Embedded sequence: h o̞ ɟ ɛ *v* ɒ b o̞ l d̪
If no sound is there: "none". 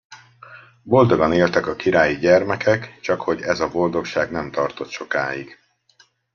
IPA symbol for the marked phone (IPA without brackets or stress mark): z